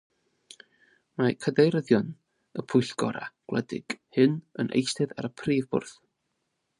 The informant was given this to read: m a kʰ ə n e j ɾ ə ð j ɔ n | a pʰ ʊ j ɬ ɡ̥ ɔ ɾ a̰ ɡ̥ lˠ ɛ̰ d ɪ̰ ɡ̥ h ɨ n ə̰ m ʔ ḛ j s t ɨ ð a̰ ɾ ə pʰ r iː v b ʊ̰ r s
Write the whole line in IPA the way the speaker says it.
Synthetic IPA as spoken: m a kʰ ə d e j ɾ ə ð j ɔ n | ə pʰ ʊ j ɬ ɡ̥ ɔ ɾ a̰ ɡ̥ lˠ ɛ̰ d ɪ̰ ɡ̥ h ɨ n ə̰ n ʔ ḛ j s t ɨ ð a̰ ɾ ə pʰ r iː v b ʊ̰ r θ